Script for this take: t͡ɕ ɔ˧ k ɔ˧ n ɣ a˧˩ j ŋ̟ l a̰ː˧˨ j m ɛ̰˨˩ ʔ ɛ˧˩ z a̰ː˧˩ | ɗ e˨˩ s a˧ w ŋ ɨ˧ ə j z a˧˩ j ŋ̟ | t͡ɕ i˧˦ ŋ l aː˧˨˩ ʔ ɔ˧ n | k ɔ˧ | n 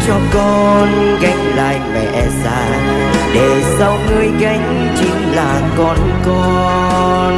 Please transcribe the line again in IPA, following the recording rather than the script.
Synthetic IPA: t͡ɕ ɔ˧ k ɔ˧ n ɣ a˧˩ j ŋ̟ l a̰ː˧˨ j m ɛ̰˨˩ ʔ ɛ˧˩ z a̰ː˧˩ | ɗ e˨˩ s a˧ w ŋ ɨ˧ ə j ɣ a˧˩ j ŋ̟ | t͡ɕ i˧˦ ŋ l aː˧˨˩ k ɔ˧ n | k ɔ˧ | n